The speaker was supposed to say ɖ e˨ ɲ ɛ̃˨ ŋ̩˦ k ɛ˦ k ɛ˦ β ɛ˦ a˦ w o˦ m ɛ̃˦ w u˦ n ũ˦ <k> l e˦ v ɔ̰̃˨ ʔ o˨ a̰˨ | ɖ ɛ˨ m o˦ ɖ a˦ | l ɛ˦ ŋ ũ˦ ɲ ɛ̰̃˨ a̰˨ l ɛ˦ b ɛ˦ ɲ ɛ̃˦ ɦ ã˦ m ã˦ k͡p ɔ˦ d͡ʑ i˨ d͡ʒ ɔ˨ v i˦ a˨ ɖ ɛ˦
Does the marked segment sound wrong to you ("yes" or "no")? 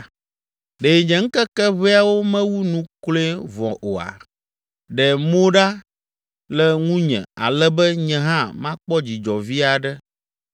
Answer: no